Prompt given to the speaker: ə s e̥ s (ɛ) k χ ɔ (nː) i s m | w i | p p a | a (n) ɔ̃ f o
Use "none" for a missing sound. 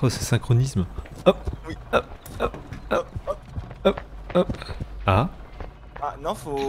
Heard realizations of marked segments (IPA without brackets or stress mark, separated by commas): ɛ̃, n, n